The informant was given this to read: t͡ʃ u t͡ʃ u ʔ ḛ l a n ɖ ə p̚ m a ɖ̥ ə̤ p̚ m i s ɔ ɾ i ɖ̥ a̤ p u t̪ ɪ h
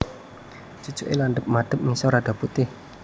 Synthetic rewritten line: t͡ʃ u t͡ʃ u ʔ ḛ l a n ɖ ə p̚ m a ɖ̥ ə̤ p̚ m i s ɔ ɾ a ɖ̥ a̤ p u t̪ ɪ h

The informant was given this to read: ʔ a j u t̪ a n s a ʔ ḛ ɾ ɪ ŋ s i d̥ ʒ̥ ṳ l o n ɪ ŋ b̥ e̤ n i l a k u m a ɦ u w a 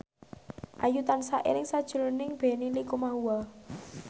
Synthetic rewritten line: ʔ a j u t̪ a n s a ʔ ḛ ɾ ɪ ŋ s a d̥ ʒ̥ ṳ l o n ɪ ŋ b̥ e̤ n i l i k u m a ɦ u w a

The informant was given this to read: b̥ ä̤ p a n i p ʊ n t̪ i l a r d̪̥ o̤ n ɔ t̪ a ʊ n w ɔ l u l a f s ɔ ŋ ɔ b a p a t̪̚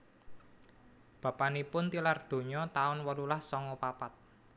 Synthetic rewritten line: b̥ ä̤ p a n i p ʊ n t̪ i l a r d̪̥ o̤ ɲ ɔ t̪ a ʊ n w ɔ l u l a h s ɔ ŋ ɔ p a p a t̪̚

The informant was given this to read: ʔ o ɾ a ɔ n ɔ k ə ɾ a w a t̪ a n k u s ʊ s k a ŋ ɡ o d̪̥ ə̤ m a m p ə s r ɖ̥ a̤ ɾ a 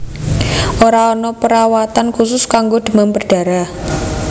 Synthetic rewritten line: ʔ o ɾ a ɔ n ɔ p ə ɾ a w a t̪ a n k u s ʊ s k a ŋ ɡ o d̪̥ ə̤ m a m p ə r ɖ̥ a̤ ɾ a

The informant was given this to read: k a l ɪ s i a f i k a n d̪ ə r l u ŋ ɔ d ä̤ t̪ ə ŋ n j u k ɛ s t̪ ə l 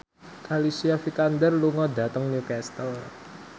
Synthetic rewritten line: k a l i s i a f i k a n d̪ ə r l u ŋ ɔ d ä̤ t̪ ə ŋ n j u k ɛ s t̪ ə l

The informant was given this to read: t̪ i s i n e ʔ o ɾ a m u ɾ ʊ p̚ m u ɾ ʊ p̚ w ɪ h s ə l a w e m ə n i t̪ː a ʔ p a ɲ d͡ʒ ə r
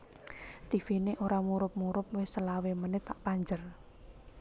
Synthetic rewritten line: t̪ i f i n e ʔ o ɾ a m u ɾ ʊ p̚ m u ɾ ʊ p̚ w ɪ h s ə l a w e m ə n ɪ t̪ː a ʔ p a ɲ d͡ʒ ə r

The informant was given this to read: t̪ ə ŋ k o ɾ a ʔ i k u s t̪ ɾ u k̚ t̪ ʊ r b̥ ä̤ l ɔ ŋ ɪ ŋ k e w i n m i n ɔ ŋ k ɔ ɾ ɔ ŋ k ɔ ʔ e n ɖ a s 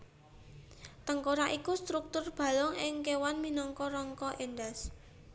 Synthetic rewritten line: t̪ ə ŋ k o ɾ a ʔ i k u s t̪ ɾ u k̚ t̪ ʊ r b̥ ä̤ l ɔ ŋ ɪ ŋ k e w a n m i n ɔ ŋ k ɔ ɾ ɔ ŋ k ɔ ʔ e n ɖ a s

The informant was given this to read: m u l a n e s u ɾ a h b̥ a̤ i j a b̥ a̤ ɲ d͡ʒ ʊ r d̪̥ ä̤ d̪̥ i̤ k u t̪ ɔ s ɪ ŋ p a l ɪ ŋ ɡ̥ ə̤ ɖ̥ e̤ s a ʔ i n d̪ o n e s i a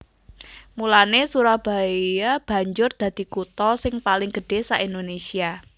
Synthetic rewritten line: m u l a n e s u ɾ a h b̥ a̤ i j a b̥ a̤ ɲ d͡ʒ ʊ r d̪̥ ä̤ d̪̥ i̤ k u t̪ ɔ s ɪ ŋ p a l ɪ ŋ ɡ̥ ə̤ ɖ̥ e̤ s a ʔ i n d̪ o n e s i a

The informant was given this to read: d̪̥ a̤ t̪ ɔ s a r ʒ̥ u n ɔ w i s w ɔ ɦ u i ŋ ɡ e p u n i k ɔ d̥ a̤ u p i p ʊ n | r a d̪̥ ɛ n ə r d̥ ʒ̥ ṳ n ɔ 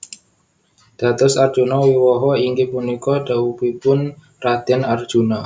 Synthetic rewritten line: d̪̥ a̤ t̪ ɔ s a r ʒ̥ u n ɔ w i w ɔ ɦ ɔ i ŋ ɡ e p u n i k ɔ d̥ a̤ u p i p ʊ n | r a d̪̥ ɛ n a r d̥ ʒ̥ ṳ n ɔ

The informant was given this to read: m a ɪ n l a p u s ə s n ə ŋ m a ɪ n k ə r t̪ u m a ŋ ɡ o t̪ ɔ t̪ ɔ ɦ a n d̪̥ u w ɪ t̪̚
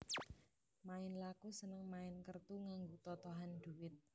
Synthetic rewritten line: m a ɪ n l a k u s ə n ə ŋ m a ɪ n k ə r t̪ u ŋ a ŋ ɡ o t̪ ɔ t̪ ɔ ɦ a n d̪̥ u w ɪ t̪̚

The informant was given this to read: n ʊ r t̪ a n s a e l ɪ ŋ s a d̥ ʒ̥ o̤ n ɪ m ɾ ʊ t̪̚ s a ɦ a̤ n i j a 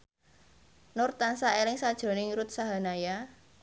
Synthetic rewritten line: n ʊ r t̪ a n s a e l ɪ ŋ s a d̥ ʒ̥ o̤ n ɪ ŋ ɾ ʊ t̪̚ s a ɦ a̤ n a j a

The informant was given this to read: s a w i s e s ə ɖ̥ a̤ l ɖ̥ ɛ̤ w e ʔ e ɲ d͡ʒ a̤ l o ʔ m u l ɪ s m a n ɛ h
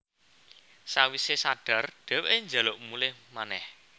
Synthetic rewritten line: s a w i s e s a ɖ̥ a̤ r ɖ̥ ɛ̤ w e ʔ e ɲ d͡ʒ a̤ l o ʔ m u l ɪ h m a n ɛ h

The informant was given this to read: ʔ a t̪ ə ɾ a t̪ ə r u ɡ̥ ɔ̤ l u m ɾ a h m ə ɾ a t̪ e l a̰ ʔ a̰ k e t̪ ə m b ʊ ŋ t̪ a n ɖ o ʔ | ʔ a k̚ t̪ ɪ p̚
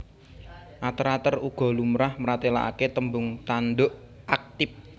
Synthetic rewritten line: ʔ a t̪ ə ɾ a t̪ ə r u ɡ̥ ɔ̤ l u m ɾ a h m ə ɾ a t̪ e l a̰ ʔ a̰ k e t̪ ə m b ʊ ŋ t̪ a n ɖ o ʔ | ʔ a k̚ t̪ ɪ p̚

